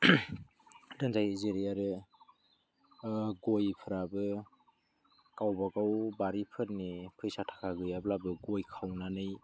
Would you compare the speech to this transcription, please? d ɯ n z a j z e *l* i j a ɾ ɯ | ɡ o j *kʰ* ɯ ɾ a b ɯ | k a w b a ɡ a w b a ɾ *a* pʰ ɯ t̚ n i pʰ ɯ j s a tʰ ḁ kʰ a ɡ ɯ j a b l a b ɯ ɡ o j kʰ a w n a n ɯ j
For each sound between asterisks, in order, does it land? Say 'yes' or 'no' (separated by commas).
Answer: no, no, no